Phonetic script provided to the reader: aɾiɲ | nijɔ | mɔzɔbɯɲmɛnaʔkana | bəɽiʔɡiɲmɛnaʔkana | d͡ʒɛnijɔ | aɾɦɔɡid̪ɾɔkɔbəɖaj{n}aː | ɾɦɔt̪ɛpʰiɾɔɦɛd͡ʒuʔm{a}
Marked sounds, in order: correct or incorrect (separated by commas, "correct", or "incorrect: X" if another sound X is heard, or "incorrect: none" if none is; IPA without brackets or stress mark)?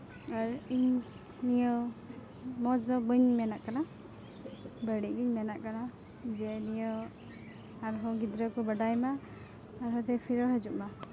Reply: incorrect: m, correct